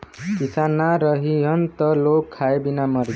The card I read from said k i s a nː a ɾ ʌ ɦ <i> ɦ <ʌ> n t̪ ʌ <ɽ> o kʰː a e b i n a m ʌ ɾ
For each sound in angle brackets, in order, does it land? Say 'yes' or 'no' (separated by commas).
yes, yes, no